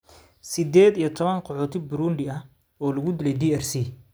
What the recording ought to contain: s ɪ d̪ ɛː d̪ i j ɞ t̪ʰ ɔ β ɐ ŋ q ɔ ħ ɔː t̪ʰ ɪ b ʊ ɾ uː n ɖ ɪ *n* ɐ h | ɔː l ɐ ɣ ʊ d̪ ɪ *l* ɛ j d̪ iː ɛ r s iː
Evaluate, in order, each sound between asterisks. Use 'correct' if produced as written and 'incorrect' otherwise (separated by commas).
incorrect, correct